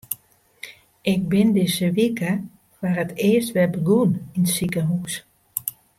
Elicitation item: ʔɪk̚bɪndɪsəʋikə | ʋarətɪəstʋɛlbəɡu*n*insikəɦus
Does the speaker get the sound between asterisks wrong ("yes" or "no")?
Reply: no